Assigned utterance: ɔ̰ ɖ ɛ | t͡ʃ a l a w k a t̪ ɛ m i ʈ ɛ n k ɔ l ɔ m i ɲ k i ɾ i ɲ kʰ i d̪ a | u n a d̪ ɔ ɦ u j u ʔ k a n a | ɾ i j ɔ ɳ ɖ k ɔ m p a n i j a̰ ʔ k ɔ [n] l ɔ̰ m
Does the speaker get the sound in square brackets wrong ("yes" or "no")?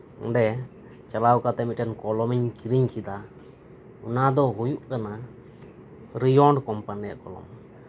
yes